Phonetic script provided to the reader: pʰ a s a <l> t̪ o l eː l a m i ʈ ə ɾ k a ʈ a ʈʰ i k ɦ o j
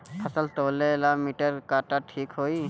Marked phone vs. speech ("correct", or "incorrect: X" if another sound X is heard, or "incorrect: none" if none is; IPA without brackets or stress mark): correct